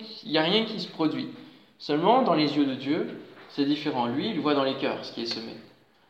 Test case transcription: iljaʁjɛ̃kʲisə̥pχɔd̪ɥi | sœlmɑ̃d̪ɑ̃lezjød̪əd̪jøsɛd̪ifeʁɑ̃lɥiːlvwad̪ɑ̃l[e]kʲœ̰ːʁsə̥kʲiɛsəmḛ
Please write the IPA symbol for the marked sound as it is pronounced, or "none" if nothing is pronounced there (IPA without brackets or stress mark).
e